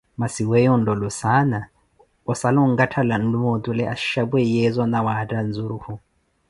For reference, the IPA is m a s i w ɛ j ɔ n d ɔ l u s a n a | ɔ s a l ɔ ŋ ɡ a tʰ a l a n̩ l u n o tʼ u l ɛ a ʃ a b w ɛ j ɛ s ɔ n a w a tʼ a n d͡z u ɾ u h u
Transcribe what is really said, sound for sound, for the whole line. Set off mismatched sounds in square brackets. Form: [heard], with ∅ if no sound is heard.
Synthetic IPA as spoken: m a s i w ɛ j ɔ n d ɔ l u s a n a | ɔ s a l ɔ ŋ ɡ a tʰ a l a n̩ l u [m] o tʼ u l ɛ a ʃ a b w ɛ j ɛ [z] ɔ n a w a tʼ a n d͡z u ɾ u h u

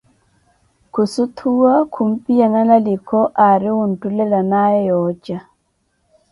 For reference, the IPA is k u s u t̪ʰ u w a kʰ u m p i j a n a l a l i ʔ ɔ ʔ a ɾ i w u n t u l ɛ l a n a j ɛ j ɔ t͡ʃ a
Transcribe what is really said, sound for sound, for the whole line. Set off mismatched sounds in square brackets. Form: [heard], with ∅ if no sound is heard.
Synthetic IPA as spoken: k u s u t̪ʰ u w a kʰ u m p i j a n a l a l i [k] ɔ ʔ a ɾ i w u n t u l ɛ l a n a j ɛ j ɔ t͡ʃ a

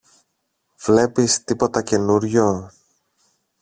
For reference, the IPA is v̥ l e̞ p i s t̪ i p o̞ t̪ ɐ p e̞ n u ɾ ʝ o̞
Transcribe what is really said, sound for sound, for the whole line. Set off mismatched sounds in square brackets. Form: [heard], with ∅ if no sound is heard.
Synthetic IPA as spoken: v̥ l e̞ p i s t̪ i p o̞ t̪ ɐ [c] e̞ n u ɾ ʝ o̞

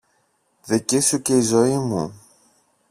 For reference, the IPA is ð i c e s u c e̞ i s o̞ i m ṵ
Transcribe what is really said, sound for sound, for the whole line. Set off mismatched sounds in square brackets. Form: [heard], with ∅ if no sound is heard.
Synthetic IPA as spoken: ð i c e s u c e̞ i [z] o̞ i m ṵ

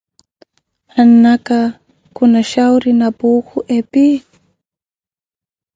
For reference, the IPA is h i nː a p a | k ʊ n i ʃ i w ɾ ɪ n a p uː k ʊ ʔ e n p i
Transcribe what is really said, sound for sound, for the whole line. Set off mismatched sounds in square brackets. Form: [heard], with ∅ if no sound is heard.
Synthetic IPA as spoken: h [a] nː a [k] a | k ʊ n [a] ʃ [a] w ɾ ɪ n a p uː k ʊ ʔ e [∅] p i

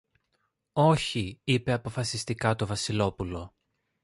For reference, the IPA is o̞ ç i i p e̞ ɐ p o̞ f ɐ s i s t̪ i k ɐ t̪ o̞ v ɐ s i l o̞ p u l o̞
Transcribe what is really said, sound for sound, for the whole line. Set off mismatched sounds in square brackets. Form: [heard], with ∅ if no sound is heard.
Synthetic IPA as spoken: o̞ ç i i p e̞ ɐ p o̞ f ɐ s i s t̪ i k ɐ t̪ o̞ v ɐ s i l o̞ p u l o̞

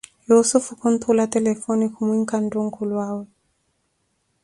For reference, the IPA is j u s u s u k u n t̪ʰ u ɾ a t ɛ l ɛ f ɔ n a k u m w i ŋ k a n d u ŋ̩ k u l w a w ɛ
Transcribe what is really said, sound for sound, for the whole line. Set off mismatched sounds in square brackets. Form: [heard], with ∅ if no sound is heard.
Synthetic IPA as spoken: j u s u [f] u k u n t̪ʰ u [l] a t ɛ l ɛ f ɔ n [i] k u m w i ŋ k a n d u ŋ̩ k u l w a w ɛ

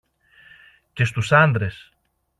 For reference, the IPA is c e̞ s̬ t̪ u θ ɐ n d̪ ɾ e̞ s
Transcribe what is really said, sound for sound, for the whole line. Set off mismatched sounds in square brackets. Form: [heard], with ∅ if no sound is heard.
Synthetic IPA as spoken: c e̞ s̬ t̪ u [s] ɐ n d̪ ɾ e̞ s

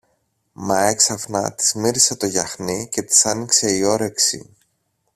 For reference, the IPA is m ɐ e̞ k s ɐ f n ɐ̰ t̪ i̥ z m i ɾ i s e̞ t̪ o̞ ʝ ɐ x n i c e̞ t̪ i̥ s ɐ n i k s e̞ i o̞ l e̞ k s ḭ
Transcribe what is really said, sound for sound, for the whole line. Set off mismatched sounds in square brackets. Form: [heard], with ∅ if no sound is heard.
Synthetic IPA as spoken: m ɐ e̞ k s ɐ f n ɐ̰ t̪ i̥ z m i ɾ i s e̞ t̪ o̞ ʝ ɐ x n i c e̞ t̪ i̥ s ɐ n i k s e̞ i o̞ [ɾ] e̞ k s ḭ

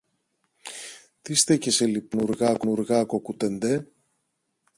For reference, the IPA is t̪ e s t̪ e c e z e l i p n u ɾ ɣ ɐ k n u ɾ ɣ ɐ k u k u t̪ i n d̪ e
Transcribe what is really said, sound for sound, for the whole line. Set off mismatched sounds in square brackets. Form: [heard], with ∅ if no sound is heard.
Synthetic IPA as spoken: t̪ [i] s t̪ e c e [s] e l i p n u ɾ ɣ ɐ k n u ɾ ɣ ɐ k [o] k u t̪ [e] n d̪ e

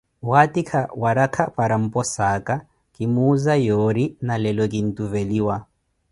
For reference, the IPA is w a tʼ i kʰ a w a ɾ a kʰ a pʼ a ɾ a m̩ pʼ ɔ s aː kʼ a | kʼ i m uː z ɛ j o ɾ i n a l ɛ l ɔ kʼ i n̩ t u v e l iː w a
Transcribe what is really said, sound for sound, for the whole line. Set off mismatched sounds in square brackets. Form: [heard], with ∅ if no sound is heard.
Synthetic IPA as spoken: w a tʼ i kʰ a w a ɾ a kʰ a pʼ a ɾ a m̩ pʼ ɔ s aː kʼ a | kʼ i m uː z [a] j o ɾ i n a l ɛ l ɔ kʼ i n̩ t u v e l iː w a

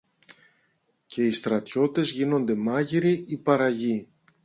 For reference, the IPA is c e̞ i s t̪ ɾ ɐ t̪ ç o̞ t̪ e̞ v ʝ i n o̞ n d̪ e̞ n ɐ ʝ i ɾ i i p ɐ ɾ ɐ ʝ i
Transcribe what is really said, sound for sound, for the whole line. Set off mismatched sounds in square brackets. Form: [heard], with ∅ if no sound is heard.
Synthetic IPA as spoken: c e̞ i s t̪ ɾ ɐ t̪ ç o̞ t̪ e̞ [z] ʝ i n o̞ n d̪ e̞ [m] ɐ ʝ i ɾ i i p ɐ ɾ ɐ ʝ i

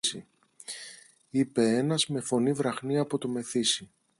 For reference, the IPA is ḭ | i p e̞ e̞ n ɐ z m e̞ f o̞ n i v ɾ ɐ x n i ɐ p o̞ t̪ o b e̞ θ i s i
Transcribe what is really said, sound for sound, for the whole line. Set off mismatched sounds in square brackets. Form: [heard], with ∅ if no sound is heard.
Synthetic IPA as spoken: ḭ | i p e̞ e̞ n ɐ z m e̞ f o̞ n i v ɾ ɐ x n i ɐ p o̞ t̪ o [m] e̞ θ i s i

